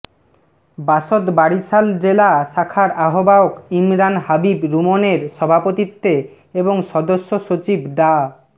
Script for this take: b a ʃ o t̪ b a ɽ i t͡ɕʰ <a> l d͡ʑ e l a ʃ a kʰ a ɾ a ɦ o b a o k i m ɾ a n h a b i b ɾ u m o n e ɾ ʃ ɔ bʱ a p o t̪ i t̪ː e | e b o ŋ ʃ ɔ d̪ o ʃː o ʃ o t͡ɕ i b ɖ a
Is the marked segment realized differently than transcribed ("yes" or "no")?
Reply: no